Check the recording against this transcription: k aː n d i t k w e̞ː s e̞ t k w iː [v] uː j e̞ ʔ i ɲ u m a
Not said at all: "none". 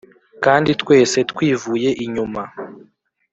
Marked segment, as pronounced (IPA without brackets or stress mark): v